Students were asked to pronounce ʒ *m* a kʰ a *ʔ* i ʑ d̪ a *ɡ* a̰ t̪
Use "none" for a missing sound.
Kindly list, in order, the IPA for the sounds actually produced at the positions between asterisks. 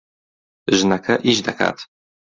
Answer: n, ʔ, k

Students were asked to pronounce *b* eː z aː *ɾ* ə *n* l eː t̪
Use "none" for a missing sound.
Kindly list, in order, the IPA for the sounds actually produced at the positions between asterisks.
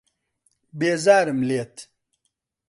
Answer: b, ɾ, m

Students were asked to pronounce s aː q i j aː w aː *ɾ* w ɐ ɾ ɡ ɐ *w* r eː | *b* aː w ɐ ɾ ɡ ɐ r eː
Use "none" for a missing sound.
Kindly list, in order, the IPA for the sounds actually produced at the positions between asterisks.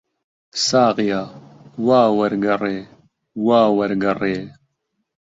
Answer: none, none, w

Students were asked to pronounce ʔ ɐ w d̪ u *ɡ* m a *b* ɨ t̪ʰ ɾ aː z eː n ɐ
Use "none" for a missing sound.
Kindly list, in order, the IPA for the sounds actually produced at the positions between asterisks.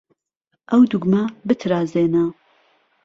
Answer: ɡ, b

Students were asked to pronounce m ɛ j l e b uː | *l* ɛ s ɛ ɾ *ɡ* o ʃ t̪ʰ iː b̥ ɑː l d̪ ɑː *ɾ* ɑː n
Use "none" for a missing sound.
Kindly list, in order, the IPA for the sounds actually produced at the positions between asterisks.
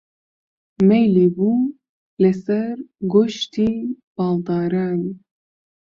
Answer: l, ɡ, ɾ

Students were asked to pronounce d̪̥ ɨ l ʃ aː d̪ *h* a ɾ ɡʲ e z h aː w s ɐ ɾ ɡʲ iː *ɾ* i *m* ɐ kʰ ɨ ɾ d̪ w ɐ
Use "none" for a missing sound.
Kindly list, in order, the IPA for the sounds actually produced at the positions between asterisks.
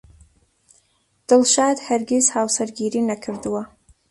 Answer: h, ɾ, n

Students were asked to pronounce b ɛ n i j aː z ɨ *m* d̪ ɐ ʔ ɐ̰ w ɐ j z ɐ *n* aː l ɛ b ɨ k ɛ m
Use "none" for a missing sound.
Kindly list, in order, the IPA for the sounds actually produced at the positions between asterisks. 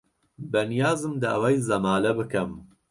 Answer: m, m

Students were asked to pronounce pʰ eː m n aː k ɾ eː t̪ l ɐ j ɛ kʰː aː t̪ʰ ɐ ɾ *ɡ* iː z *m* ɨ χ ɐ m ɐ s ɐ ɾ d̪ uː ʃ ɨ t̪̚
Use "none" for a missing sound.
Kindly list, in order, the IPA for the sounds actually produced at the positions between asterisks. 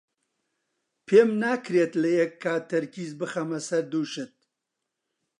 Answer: k, b

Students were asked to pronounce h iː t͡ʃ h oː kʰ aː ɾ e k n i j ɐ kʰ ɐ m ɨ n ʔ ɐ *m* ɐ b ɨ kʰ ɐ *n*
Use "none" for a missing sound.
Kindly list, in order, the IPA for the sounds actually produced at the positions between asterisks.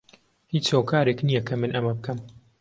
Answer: m, m

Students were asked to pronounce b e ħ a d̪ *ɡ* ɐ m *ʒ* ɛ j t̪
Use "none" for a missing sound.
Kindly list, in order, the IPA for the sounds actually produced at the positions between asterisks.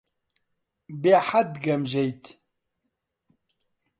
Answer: ɡ, ʒ

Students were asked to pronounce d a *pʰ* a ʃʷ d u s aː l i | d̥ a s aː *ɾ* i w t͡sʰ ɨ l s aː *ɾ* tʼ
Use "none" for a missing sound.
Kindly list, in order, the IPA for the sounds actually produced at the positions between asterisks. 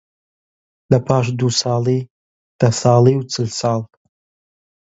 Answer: pʰ, l, l

